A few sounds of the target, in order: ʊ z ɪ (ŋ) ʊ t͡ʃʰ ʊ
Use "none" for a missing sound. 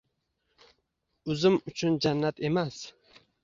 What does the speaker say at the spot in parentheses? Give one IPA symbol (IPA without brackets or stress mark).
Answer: m